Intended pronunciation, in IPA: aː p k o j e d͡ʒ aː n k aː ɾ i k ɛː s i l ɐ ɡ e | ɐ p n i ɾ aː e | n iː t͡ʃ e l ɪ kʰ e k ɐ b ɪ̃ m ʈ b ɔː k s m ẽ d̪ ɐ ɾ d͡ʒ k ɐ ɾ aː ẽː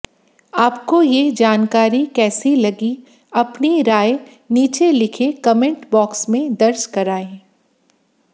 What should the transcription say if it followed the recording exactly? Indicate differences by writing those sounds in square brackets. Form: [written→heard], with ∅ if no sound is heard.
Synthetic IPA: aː p k o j e d͡ʒ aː n k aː ɾ i k ɛː s i l ɐ ɡ [e→i] | ɐ p n i ɾ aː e | n iː t͡ʃ e l ɪ kʰ e k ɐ [b→m] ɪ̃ [m→ɳ] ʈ b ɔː k s m ẽ d̪ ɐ ɾ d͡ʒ k ɐ ɾ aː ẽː